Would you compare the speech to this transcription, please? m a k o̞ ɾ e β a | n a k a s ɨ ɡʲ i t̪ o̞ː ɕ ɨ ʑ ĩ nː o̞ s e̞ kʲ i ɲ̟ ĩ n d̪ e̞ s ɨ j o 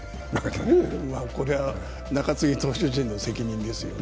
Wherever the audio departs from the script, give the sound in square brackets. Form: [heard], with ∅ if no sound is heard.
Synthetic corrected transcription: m a k o̞ ɾ e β a | n a k a [t͡s] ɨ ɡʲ i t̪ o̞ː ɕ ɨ ʑ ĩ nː o̞ s e̞ kʲ i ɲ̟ ĩ n d̪ e̞ s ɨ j o